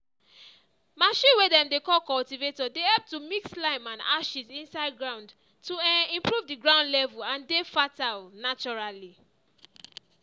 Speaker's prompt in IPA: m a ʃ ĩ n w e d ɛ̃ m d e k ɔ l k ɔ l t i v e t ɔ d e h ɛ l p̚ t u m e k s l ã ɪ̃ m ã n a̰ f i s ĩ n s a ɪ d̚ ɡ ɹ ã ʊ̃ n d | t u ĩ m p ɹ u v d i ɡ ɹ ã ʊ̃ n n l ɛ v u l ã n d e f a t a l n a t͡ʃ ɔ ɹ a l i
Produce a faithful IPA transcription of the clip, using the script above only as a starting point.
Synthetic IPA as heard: m a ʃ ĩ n w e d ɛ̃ m d e k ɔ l k ɔ l t i v e t ɔ d e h ɛ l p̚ t u m i k s l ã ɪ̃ m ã n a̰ ʃ i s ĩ n s a ɪ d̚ ɡ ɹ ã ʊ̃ n d | t u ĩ m p ɹ u v d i ɡ ɹ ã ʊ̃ n d l ɛ v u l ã n d e f a t a l n a t͡ʃ ɔ ɹ a l i